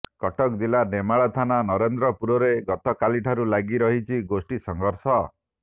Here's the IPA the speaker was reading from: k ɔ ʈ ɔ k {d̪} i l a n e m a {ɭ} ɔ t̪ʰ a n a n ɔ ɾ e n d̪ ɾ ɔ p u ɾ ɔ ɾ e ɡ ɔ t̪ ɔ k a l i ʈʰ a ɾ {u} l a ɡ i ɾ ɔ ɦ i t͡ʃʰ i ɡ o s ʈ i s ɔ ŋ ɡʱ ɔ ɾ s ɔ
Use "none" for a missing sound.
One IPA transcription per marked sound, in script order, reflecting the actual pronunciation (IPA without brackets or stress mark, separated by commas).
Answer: d̪, ɭ, u